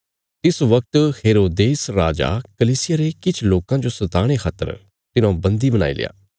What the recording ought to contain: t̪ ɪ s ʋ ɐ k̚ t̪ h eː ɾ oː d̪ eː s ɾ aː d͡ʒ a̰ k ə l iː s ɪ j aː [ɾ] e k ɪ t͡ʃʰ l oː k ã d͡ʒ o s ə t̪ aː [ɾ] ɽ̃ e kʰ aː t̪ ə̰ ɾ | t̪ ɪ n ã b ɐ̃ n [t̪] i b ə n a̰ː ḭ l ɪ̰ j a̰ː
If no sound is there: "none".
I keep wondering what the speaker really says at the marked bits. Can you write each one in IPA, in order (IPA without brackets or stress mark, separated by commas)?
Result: ɾ, none, d̪